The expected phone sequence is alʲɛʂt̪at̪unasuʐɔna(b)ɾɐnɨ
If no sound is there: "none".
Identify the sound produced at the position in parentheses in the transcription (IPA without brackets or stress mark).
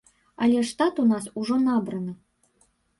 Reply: b